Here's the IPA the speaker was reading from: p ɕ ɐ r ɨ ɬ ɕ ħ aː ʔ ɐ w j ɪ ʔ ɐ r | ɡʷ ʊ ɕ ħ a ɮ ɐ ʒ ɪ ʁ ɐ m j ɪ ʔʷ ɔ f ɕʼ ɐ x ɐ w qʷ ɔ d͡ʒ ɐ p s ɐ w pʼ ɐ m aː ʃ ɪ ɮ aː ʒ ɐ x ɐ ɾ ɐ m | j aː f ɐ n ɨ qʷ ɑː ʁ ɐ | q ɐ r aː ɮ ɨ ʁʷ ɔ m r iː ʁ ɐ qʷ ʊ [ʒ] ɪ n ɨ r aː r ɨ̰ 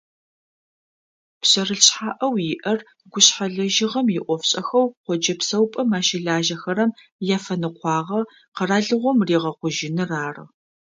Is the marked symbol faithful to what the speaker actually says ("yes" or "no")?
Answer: yes